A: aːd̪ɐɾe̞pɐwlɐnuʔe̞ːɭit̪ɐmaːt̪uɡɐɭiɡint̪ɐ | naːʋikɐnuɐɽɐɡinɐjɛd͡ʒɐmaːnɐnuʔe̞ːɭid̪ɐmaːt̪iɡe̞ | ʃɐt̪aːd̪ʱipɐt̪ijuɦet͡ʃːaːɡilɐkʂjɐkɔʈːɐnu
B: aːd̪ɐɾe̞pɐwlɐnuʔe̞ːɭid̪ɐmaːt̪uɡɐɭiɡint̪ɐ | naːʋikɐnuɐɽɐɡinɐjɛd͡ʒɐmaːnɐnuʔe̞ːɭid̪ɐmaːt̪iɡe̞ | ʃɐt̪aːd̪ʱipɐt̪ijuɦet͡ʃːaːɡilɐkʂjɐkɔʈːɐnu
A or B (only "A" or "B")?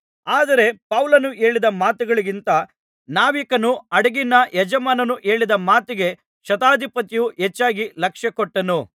B